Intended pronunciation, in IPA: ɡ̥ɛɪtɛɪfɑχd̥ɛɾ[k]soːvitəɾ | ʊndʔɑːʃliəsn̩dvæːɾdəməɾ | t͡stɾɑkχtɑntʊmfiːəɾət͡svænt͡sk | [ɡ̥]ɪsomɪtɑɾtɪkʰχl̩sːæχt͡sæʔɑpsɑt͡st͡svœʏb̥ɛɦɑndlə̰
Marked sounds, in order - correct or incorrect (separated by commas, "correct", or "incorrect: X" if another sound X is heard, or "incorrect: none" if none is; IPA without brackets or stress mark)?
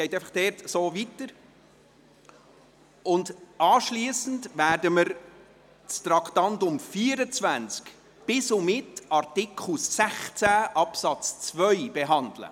incorrect: t, incorrect: b̥